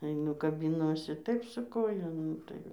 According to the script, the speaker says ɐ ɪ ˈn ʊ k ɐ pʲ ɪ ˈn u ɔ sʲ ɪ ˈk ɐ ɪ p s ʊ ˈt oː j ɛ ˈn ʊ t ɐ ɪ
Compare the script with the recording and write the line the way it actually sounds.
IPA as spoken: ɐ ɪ ˈn ʊ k ɐ bʲ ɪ ˈn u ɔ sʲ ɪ ˈt ɐ ɪ p s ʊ ˈk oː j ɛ ˈn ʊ t ɐ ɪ